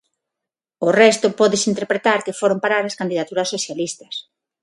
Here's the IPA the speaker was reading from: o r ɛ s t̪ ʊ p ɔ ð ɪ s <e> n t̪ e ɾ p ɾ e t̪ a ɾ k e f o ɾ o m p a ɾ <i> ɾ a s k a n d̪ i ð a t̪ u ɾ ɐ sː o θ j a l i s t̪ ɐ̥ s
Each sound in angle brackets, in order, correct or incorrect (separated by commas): incorrect, incorrect